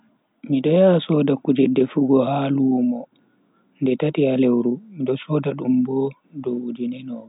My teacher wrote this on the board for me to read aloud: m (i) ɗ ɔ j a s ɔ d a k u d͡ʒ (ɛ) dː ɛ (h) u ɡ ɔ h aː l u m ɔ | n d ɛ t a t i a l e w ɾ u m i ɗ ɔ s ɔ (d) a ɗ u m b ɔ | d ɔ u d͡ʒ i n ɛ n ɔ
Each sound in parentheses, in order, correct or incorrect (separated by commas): correct, correct, incorrect, correct